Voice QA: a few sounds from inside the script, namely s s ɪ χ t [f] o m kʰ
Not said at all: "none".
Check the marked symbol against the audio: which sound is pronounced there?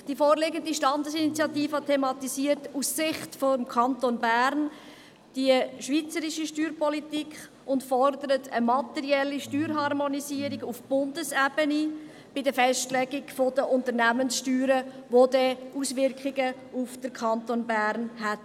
f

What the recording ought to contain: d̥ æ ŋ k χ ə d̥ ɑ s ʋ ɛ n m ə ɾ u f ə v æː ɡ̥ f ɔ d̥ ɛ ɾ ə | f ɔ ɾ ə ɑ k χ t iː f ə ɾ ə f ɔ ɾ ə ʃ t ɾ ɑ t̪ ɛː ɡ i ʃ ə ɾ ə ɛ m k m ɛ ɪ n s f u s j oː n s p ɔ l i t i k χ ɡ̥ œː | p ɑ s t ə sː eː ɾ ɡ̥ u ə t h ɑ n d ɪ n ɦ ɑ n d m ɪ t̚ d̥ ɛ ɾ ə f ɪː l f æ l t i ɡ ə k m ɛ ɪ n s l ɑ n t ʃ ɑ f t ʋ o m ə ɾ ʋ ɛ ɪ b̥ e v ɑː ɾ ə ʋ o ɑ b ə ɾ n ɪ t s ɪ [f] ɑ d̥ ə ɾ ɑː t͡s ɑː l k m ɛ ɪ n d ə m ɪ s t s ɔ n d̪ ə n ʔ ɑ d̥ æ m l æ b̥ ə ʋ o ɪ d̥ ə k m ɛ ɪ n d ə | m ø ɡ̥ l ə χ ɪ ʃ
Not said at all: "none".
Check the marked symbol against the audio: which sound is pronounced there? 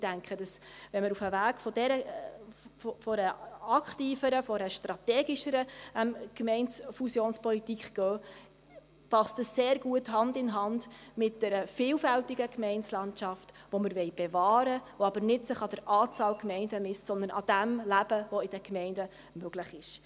χ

